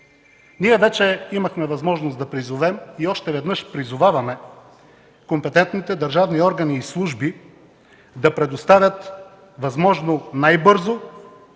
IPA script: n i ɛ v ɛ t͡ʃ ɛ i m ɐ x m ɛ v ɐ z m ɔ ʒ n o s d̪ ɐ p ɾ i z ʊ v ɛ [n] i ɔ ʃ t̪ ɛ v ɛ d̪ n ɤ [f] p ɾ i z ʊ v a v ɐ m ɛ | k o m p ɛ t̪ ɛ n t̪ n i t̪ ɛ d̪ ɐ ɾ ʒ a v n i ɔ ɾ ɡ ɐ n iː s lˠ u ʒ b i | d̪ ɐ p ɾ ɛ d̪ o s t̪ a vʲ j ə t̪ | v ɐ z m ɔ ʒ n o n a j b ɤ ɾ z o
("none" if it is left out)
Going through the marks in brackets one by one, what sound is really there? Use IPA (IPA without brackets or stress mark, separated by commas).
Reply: m, ʃ